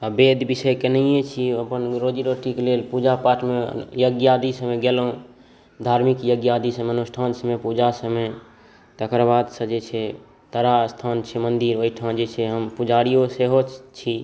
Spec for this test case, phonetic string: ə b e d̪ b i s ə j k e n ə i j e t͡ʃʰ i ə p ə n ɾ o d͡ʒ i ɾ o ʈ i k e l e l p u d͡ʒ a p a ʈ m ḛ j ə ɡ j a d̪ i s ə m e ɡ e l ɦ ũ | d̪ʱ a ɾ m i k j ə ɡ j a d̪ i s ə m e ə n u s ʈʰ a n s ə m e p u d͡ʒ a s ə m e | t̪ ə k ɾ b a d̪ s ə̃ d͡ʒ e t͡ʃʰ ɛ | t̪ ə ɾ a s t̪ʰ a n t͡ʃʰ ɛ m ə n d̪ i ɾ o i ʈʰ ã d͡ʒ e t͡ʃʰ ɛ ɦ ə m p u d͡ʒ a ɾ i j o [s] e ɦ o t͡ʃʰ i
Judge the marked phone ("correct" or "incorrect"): correct